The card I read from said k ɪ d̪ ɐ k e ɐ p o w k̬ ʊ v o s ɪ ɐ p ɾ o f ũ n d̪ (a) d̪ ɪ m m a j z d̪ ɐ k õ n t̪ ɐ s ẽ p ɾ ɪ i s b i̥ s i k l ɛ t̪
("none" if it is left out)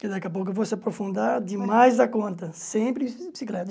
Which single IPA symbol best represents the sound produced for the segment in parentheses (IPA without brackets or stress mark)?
a